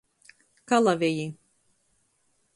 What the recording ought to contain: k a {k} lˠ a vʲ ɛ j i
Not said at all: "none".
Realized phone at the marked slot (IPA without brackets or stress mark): none